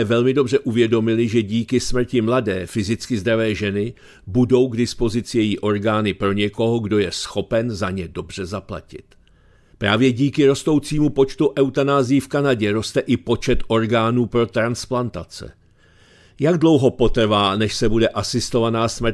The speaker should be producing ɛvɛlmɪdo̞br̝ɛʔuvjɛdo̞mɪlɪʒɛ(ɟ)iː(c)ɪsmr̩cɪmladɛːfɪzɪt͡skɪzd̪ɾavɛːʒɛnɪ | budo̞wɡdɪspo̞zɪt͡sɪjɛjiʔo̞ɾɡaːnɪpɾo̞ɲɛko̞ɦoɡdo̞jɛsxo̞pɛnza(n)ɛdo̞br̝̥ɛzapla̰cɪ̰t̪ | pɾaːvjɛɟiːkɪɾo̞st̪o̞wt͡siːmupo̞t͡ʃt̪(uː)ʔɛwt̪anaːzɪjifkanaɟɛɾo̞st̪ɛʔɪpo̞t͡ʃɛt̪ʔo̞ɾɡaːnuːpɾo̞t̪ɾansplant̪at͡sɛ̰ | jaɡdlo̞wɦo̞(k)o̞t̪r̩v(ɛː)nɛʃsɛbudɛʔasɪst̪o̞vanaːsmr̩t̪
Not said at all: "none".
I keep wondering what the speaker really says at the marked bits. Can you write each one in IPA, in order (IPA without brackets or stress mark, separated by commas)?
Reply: ɟ, k, ɲ, u, p, aː